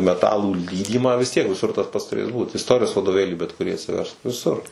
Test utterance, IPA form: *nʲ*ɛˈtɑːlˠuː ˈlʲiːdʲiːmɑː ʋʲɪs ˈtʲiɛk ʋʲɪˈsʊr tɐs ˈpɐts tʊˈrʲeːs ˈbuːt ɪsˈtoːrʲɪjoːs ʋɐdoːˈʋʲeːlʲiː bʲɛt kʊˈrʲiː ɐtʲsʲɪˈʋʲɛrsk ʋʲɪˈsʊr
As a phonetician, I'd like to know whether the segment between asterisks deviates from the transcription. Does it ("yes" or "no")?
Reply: yes